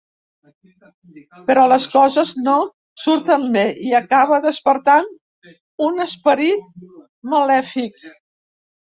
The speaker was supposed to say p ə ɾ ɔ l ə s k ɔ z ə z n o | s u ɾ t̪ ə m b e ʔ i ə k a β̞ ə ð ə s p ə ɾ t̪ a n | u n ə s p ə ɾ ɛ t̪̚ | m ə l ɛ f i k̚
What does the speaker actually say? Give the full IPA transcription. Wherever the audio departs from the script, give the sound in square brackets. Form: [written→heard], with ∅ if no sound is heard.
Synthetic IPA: p ə ɾ ɔ l ə s k ɔ z ə z n o | s u ɾ t̪ ə m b e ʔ i ə k a β̞ ə ð ə s p ə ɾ t̪ a n | u n ə s p ə ɾ [ɛ→i] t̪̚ | m ə l ɛ f i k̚